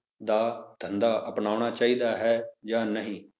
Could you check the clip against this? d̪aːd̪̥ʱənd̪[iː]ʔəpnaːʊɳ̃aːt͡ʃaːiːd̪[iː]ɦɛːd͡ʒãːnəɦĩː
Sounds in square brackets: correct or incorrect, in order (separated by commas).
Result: incorrect, incorrect